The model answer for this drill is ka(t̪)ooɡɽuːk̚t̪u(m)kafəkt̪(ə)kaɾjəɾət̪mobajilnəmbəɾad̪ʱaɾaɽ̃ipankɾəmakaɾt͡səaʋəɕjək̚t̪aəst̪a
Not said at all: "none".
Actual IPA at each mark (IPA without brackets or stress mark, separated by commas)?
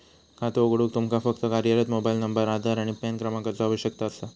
t̪, m, ə